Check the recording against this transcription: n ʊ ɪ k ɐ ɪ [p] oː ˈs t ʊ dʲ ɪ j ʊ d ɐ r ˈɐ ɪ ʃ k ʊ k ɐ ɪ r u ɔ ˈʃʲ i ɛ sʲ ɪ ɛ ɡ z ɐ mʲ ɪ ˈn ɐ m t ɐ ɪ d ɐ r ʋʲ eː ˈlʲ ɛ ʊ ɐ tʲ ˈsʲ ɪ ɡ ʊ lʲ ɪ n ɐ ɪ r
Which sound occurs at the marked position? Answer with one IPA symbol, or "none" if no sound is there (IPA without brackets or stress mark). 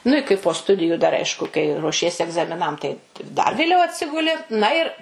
p